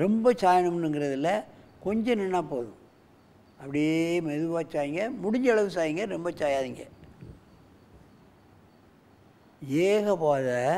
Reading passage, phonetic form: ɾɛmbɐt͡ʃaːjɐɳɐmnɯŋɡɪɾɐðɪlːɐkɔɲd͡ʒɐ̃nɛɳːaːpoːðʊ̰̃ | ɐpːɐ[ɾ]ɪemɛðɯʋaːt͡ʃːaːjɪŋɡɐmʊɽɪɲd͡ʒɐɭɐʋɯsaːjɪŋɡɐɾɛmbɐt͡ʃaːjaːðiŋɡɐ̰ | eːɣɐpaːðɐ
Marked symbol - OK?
no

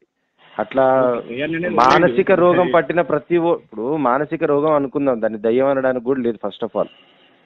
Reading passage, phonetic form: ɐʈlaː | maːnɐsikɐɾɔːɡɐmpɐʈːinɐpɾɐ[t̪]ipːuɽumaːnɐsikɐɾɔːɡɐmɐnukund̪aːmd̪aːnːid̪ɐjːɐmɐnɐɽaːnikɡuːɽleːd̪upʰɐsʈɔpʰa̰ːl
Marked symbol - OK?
yes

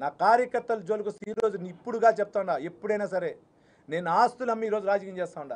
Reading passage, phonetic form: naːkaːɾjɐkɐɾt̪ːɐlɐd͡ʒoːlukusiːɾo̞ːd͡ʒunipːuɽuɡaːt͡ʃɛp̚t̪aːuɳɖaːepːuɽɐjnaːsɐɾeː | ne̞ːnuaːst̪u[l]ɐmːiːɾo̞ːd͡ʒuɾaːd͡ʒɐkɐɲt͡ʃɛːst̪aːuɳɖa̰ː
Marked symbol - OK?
yes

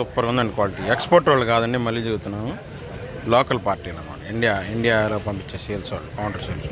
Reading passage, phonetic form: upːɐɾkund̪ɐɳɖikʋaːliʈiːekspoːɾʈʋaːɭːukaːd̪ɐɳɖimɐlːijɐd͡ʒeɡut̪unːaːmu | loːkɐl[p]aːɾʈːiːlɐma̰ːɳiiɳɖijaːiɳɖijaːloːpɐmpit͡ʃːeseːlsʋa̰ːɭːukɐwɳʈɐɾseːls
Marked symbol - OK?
yes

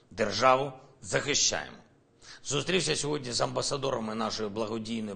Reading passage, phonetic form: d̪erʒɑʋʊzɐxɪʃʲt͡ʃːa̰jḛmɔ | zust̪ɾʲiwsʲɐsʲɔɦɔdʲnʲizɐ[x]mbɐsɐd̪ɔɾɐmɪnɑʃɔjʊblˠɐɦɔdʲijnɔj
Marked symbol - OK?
no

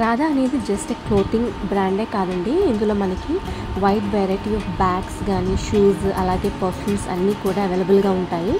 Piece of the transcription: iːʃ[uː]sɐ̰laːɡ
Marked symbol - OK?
yes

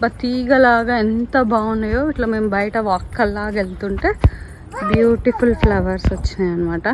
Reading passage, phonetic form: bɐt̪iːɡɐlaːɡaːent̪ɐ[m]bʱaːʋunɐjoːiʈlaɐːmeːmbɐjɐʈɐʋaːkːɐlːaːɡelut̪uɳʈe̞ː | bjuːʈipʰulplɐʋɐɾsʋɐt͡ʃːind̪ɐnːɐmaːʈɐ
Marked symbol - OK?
no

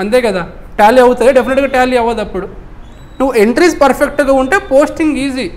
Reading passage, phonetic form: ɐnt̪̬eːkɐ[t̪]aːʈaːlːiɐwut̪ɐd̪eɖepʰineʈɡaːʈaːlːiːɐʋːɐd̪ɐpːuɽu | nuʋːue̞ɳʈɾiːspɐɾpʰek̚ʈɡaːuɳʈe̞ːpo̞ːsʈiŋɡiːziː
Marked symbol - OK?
no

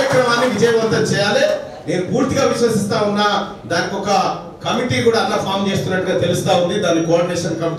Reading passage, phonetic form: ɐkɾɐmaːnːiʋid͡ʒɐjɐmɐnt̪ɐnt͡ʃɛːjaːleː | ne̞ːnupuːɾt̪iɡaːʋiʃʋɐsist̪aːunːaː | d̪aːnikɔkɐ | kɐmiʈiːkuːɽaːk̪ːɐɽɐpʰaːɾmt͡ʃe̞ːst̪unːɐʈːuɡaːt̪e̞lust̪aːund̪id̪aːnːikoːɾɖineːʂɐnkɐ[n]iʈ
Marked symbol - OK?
no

